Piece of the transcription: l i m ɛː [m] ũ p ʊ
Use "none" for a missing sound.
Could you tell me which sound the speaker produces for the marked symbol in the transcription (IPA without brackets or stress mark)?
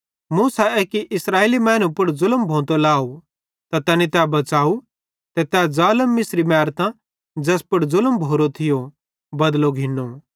n